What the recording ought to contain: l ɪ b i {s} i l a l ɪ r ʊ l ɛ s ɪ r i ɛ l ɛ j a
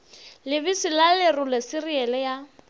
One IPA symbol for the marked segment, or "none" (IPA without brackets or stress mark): s